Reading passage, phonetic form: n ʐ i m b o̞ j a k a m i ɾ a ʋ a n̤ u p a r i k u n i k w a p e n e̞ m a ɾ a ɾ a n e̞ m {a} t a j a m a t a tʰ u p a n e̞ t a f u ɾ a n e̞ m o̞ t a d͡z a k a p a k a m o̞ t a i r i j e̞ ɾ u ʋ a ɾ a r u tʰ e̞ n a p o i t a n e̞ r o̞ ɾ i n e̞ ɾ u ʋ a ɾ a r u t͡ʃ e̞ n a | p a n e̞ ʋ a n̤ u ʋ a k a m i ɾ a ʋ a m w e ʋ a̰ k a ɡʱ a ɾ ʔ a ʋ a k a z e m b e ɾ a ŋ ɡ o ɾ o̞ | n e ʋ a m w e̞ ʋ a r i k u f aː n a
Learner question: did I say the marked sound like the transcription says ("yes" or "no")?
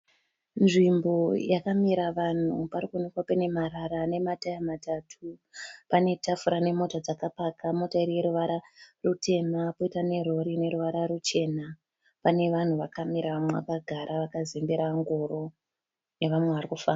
yes